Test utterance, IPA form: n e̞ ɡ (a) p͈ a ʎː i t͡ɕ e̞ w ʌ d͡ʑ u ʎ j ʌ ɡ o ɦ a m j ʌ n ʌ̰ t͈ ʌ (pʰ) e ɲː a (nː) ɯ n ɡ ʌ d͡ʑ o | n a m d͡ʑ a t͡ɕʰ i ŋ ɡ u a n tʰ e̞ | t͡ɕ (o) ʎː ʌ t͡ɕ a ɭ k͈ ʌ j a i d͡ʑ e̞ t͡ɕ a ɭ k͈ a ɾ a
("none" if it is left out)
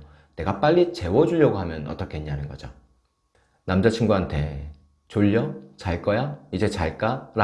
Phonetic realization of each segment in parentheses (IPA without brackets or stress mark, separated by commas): a, kʰ, n, o